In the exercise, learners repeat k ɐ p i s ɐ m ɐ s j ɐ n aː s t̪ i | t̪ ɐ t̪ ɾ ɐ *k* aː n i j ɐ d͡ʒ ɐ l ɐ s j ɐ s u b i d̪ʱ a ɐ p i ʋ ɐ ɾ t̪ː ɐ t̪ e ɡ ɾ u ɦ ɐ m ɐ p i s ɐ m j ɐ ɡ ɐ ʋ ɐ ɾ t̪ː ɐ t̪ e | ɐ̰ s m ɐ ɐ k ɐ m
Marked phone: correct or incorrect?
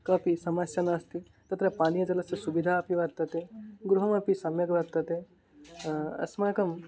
incorrect: p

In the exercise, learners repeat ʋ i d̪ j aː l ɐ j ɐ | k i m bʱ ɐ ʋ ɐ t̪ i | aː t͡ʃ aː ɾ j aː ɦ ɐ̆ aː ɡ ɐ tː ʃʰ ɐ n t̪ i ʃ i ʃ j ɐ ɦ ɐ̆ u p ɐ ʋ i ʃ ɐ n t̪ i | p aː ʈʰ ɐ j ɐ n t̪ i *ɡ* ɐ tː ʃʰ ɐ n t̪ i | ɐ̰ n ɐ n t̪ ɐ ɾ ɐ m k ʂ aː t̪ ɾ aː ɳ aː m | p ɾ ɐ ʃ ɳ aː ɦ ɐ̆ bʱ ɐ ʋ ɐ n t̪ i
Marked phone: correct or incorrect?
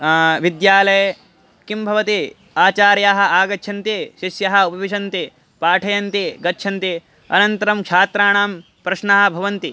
correct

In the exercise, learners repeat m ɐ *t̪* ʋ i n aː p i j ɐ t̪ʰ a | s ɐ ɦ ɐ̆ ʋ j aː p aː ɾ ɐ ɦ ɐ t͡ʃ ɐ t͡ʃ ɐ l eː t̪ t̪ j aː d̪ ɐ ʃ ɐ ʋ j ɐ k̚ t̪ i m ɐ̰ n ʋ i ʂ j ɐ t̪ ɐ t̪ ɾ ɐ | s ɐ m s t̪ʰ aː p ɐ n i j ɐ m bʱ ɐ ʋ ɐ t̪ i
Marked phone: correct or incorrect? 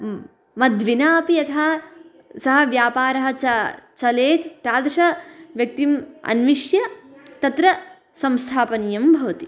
incorrect: d̪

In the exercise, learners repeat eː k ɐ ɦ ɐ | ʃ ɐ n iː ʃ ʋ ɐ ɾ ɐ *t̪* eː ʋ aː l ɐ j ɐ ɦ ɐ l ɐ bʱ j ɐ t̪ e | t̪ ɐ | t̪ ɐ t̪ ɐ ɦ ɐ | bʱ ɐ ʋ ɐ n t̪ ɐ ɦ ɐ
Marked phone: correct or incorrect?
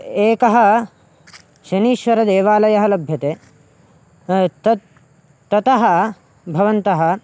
incorrect: d̪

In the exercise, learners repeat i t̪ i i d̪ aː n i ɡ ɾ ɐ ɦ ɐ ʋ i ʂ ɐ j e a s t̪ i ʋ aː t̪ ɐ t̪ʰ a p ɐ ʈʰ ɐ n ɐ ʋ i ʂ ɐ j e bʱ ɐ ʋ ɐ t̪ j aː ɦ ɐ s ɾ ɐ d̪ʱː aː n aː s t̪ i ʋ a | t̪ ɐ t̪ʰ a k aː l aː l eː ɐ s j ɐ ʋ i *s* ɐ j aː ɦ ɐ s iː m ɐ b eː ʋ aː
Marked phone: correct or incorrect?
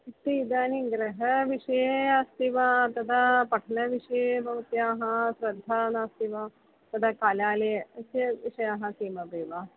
incorrect: ʂ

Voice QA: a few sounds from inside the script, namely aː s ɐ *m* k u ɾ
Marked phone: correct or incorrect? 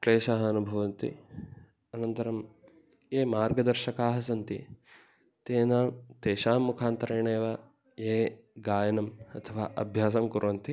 correct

